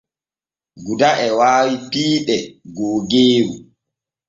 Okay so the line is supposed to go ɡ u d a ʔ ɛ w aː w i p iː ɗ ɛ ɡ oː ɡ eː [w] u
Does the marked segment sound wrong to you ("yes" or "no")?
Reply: no